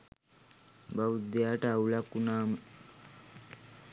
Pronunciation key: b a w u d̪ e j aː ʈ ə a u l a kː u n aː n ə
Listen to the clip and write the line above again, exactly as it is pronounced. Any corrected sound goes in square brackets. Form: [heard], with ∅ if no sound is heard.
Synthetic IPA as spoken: b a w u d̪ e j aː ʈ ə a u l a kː u n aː [m] ə